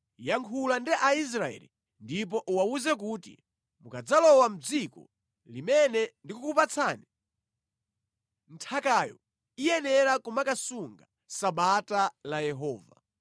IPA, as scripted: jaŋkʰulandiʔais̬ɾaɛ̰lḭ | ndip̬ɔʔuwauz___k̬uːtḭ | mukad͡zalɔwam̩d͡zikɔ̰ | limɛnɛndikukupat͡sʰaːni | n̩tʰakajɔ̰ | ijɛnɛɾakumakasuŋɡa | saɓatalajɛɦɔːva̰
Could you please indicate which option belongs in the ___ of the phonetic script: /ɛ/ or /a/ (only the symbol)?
ɛ